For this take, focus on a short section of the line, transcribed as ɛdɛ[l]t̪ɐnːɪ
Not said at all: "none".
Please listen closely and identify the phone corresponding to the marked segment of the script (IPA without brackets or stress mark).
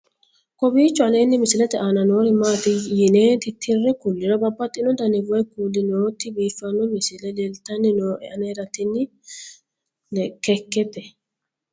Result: l